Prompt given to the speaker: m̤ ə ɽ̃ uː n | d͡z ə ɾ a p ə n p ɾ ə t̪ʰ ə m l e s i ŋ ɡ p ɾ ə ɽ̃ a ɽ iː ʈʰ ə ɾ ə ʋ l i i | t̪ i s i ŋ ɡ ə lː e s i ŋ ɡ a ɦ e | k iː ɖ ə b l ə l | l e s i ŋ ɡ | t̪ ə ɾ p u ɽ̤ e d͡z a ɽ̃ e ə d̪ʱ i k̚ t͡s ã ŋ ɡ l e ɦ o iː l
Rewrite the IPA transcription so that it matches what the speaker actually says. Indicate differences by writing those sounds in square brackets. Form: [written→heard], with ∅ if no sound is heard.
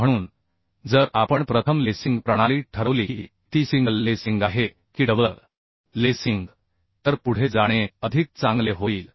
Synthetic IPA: m̤ ə ɽ̃ uː n | d͡z ə ɾ a p ə [n→ɳ] p ɾ ə t̪ʰ ə m l e s i ŋ ɡ p ɾ ə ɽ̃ a [ɽ→l] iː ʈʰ ə ɾ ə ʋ l i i | t̪ i s i ŋ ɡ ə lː e s i ŋ ɡ a ɦ e | k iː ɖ ə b l ə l | l e s i ŋ ɡ | t̪ ə ɾ p u ɽ̤ e d͡z a ɽ̃ e ə d̪ʱ i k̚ t͡s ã ŋ ɡ l e ɦ o iː l